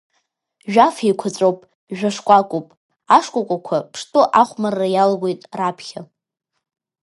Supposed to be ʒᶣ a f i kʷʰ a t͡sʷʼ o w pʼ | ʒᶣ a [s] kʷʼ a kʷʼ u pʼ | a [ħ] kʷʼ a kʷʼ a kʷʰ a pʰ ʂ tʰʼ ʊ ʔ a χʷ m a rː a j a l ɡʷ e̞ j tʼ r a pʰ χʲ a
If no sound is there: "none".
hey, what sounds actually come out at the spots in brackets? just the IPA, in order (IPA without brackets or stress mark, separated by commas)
ʂ, ʂ